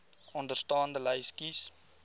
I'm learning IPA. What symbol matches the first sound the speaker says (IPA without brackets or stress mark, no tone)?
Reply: ɔ